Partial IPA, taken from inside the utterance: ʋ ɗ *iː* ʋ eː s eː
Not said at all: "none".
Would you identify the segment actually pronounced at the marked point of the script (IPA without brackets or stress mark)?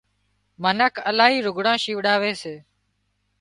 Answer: aː